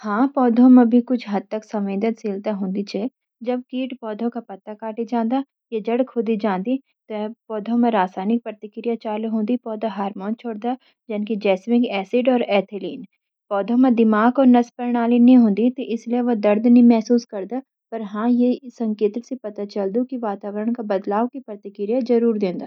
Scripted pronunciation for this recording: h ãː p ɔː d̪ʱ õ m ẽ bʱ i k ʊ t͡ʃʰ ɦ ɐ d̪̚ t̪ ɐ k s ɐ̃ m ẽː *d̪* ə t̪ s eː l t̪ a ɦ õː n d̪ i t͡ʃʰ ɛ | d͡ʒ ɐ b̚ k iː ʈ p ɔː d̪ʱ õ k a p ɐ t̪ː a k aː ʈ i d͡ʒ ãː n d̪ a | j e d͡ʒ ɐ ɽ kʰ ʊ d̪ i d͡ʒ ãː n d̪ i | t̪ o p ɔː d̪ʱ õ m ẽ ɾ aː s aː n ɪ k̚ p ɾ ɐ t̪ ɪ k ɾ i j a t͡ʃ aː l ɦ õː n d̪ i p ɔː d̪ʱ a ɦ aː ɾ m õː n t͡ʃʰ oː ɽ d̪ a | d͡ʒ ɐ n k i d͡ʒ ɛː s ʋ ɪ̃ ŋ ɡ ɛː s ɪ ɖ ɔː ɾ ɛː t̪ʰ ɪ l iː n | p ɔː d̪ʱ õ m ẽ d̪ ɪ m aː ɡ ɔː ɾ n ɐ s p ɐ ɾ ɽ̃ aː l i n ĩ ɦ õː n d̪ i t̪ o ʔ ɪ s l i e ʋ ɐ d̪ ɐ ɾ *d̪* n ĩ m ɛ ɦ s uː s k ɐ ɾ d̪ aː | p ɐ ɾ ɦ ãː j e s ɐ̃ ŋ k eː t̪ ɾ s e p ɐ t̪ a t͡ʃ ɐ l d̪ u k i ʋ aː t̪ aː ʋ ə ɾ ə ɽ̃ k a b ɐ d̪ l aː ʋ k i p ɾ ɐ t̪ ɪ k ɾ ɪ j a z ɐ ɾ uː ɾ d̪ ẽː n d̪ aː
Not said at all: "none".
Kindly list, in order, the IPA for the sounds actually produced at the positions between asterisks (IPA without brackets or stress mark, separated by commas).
d̪, d̪